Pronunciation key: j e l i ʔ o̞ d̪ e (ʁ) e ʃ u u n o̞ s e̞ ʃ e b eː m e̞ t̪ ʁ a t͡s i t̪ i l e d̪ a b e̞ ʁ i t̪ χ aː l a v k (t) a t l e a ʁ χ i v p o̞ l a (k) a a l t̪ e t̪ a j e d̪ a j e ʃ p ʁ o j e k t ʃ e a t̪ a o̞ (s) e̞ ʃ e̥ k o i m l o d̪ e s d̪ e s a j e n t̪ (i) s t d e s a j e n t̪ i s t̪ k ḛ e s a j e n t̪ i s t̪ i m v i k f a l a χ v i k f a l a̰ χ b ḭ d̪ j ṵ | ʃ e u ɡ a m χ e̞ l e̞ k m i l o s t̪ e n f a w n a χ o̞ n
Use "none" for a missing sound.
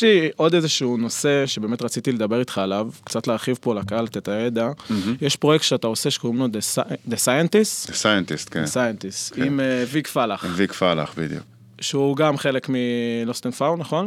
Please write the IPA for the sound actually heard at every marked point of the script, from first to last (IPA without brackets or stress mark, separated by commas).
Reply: z, t͡s, k, s, i